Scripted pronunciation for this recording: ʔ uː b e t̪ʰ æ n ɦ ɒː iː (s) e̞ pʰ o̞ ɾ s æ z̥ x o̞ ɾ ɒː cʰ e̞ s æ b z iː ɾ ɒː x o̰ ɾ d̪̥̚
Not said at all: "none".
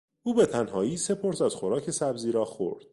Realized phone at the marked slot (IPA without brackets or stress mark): s